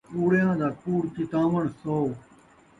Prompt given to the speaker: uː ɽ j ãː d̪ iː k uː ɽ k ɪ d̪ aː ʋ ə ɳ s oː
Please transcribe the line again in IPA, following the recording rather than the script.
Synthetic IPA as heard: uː ɽ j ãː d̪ aː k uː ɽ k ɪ t̪ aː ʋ ə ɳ s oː